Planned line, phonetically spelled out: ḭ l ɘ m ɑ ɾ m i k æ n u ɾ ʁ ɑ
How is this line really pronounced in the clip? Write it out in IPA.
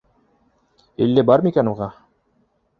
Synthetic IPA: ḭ lː ɘ b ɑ ɾ m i k æ n u ʁ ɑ